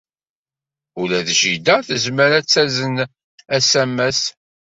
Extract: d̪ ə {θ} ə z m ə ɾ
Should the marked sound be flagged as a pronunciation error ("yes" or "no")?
no